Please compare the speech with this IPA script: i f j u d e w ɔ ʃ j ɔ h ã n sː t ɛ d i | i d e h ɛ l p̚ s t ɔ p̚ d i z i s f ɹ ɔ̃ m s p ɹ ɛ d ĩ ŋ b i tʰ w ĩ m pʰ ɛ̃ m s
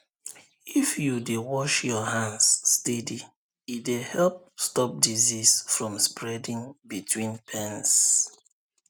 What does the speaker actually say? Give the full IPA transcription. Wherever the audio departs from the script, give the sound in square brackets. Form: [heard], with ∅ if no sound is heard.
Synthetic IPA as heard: i f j u d e w ɔ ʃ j ɔ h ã n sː t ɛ d i | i d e h ɛ l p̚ s t ɔ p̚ d i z i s f ɹ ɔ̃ m s p ɹ ɛ d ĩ ŋ b i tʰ w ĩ [n] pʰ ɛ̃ [n] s